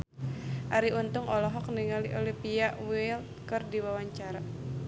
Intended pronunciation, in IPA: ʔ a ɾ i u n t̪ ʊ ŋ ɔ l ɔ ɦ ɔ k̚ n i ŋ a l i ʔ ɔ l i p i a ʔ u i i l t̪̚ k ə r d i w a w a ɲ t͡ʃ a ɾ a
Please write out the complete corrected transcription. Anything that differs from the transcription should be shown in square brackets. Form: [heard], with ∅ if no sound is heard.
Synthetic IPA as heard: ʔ a ɾ i u n t̪ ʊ ŋ ɔ l ɔ ɦ ɔ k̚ n i ŋ a l i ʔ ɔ l i p i a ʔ [w] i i l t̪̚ k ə r d i w a w a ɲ t͡ʃ a ɾ a